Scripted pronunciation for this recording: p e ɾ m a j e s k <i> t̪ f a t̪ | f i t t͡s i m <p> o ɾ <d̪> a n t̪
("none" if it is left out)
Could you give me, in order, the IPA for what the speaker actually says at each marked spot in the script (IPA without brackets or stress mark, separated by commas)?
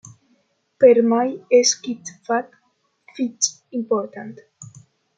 i, p, t̪